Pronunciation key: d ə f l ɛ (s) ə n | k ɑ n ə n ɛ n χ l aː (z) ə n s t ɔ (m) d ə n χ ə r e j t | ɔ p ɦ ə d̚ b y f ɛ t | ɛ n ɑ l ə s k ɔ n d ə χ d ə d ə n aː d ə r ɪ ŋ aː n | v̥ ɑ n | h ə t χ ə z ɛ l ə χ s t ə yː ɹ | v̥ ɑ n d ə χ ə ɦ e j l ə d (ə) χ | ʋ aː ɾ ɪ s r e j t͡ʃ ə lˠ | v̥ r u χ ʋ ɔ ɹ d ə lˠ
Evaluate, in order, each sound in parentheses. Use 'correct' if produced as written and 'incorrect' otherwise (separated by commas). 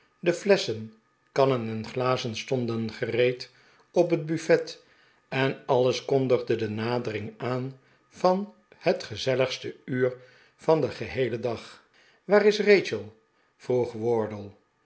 correct, correct, incorrect, incorrect